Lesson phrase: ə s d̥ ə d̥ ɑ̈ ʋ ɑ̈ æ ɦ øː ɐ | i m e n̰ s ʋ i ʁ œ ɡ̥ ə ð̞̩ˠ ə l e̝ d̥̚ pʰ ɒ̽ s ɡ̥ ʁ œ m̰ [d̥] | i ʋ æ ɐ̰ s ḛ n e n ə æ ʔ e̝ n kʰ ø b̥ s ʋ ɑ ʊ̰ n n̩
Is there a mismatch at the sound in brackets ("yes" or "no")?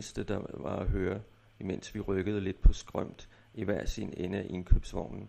no